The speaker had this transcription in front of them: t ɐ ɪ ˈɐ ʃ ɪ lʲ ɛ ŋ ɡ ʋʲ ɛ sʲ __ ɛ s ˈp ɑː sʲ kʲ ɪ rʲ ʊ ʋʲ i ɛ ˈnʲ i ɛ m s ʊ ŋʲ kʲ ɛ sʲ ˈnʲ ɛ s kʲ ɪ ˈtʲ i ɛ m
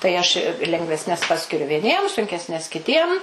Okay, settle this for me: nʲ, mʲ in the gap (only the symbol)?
nʲ